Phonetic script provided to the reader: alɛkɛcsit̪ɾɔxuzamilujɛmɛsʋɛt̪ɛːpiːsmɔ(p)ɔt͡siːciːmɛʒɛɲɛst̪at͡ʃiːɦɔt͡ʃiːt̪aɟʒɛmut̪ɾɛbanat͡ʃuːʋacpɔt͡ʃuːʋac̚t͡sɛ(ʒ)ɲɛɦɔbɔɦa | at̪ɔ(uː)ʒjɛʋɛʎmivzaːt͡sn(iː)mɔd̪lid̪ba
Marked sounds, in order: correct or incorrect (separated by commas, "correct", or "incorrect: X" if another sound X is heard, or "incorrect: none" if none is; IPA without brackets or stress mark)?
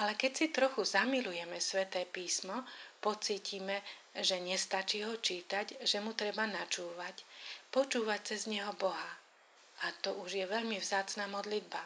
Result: correct, incorrect: z, incorrect: u, incorrect: aː